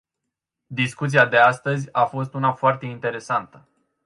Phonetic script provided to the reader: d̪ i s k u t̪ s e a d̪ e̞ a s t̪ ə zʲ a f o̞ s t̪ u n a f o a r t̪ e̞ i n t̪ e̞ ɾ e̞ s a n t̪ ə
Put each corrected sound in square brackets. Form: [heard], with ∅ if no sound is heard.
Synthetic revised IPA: d̪ i s k u t̪ s [i] a d̪ e̞ a s t̪ ə zʲ a f o̞ s t̪ u n a f o a r t̪ e̞ i n t̪ e̞ ɾ e̞ s a n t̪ ə

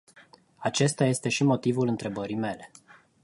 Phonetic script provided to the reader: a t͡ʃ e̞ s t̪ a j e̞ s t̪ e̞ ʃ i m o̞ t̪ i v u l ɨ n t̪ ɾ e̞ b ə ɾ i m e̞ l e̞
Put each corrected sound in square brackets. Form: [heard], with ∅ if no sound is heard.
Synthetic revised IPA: a t͡ʃ e̞ s t̪ a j e̞ s t̪ e̞ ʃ i m o̞ t̪ i v u l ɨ n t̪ ɾ e̞ b ə ɾ i m e̞ l e̞

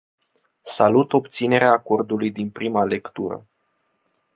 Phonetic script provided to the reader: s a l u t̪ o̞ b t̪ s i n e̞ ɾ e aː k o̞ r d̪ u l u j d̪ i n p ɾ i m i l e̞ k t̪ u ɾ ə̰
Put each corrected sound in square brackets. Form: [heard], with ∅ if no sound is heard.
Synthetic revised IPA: s a l u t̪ o̞ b t̪ s i n e̞ ɾ e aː k o̞ r d̪ u l u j d̪ i n p ɾ i m [a] l e̞ k t̪ u ɾ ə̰

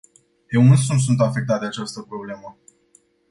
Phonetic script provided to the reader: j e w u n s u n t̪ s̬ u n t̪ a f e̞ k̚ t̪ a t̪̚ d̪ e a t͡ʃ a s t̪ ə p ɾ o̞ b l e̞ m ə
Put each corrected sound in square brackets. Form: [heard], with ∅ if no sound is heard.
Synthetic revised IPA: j e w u n s u n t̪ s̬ u n t̪ a f e̞ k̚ t̪ a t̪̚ d̪ e a t͡ʃ a s t̪ ə p ɾ o̞ b l e̞ m ə

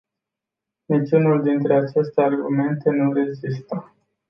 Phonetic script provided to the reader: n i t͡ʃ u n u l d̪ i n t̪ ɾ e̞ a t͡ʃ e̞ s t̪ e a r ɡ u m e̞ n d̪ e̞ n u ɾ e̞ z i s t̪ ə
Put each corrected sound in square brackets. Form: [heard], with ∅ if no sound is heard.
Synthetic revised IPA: n i t͡ʃ u n u l d̪ i n t̪ ɾ e̞ a t͡ʃ e̞ s t̪ e a r ɡ u m e̞ n [t̪] e̞ n u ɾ e̞ z i s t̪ ə

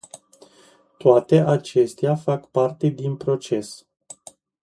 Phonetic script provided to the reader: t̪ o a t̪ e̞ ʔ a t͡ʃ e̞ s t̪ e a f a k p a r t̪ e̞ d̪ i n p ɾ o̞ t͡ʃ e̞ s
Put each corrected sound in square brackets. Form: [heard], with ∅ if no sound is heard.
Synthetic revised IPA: t̪ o a t̪ e̞ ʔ a t͡ʃ e̞ s t̪ e a f a k p a r t̪ e̞ d̪ i n p ɾ o̞ t͡ʃ e̞ s

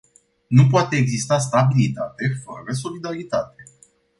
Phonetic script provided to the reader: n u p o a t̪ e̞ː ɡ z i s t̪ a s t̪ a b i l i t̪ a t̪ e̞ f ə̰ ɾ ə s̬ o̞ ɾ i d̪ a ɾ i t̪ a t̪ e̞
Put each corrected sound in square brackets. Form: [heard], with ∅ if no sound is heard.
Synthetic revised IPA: n u p o a t̪ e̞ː ɡ z i s t̪ a s t̪ a b i l i t̪ a t̪ e̞ f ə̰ ɾ ə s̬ o̞ [l] i d̪ a ɾ i t̪ a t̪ e̞

